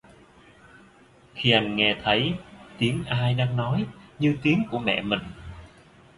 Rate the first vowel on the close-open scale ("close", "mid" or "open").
close